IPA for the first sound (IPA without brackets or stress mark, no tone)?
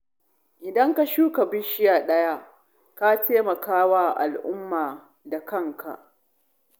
ʔ